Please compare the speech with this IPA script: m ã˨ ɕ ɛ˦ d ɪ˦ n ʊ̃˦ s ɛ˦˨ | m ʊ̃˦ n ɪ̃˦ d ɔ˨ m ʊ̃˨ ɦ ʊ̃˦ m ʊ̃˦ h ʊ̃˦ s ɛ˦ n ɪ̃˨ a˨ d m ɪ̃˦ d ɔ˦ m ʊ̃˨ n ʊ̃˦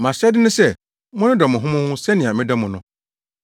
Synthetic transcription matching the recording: m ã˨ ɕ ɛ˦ d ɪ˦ n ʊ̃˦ s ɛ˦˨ | m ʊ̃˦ n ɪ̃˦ d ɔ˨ m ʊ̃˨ ɦ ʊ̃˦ m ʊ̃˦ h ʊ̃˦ s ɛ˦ n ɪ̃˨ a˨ m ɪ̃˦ d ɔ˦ m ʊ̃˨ n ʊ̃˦